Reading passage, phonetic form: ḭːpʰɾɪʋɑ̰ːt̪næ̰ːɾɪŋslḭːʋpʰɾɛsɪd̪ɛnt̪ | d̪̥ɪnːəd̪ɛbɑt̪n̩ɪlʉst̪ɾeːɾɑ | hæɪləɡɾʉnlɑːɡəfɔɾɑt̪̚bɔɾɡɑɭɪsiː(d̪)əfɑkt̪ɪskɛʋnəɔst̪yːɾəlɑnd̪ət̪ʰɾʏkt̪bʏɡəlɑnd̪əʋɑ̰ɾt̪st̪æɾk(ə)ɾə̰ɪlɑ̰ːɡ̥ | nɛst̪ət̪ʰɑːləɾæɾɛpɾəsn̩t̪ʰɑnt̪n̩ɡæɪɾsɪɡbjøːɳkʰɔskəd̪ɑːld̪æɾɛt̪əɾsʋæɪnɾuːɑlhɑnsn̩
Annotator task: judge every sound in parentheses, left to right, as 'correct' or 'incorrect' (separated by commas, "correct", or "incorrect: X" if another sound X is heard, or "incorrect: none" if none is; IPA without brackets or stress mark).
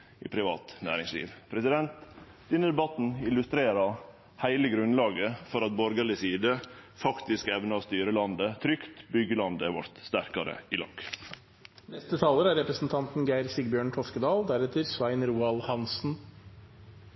correct, incorrect: ɑ